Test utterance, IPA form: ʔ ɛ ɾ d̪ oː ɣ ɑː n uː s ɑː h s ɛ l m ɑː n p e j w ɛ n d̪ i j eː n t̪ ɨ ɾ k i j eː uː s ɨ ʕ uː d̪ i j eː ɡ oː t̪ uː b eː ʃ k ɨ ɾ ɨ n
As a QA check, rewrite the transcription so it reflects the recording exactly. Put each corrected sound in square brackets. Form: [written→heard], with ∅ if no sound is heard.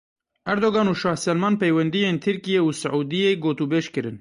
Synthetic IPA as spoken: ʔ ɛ ɾ d̪ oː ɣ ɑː n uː [s→ʃ] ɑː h s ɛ l m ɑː n p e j w ɛ n d̪ i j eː n [t̪→t̪ʰ] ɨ ɾ k i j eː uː s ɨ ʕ uː d̪ i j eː ɡ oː t̪ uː b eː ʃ k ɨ ɾ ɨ n

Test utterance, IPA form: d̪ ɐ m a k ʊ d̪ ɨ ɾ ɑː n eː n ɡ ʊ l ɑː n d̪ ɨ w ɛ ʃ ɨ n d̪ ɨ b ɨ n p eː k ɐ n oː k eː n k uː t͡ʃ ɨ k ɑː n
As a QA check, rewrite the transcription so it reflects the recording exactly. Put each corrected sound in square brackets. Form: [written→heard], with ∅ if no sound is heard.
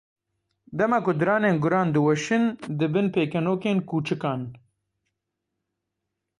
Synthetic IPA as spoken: d̪ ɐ m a k ʊ d̪ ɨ ɾ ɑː n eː n ɡ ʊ [l→ɾ] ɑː n d̪ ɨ w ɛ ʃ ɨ n d̪ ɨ b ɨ n p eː k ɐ n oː k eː n k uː t͡ʃ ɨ k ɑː n

